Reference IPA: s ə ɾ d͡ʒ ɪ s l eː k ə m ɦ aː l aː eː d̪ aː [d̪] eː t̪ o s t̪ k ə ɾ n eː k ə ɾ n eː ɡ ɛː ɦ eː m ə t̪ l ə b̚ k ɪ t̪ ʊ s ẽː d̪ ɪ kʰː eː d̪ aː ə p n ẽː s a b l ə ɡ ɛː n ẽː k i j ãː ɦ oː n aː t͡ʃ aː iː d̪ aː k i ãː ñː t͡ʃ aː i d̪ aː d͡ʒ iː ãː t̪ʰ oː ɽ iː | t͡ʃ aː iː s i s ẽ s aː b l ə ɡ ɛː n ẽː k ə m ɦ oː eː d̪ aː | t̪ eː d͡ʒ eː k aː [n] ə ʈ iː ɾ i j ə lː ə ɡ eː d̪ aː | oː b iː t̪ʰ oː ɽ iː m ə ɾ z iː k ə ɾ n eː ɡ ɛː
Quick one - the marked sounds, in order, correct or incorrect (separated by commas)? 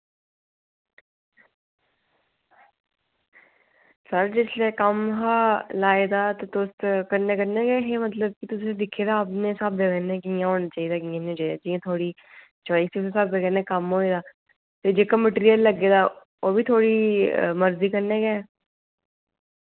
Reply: incorrect, incorrect